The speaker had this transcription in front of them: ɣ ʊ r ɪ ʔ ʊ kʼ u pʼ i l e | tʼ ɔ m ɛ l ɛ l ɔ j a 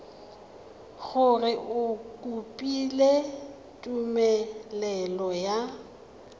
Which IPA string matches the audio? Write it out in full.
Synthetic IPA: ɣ ʊ r ɪ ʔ ʊ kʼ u pʼ i l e | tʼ u m ɛ l ɛ l ɔ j a